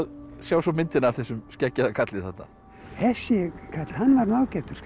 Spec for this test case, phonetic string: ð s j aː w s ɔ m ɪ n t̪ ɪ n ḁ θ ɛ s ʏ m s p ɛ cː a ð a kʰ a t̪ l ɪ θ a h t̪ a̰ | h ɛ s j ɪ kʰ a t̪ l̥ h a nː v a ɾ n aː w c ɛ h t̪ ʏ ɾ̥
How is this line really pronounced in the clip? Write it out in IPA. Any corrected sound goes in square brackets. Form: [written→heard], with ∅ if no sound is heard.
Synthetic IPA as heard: ð s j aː w s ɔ m ɪ n t̪ ɪ n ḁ θ ɛ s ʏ m s [p→c] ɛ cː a ð a kʰ a t̪ l ɪ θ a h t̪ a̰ | h ɛ s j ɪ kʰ a t̪ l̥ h a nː v a ɾ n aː w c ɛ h t̪ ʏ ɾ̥